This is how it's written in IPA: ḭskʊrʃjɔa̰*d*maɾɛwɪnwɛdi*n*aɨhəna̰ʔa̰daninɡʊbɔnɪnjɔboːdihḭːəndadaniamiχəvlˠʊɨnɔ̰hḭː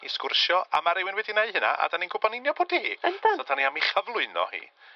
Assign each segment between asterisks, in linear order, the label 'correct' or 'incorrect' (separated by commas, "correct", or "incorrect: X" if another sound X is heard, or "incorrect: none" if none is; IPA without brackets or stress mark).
incorrect: none, correct